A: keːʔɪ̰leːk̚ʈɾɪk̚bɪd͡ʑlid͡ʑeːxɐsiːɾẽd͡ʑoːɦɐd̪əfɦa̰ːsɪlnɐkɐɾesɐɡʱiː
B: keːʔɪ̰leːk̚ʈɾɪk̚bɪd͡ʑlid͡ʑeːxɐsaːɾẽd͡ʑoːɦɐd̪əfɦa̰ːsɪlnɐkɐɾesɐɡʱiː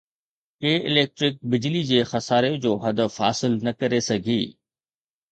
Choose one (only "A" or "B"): B